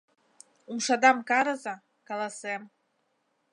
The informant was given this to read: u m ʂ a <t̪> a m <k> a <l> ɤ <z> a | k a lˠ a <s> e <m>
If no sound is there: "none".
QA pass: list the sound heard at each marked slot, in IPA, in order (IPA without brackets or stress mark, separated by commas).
d̪, k, ɾ, z, s, m